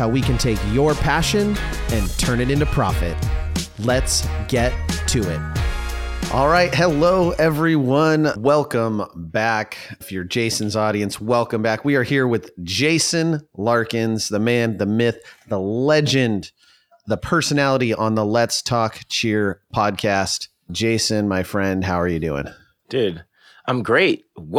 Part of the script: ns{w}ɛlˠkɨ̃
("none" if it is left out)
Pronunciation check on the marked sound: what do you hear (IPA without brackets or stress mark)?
w